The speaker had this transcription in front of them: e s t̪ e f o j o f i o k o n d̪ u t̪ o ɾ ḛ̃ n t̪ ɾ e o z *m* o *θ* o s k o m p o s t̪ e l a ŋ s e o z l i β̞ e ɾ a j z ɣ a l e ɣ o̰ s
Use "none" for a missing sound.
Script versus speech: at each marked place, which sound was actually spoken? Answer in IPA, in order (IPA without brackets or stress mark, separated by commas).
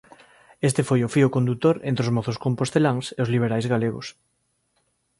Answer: m, θ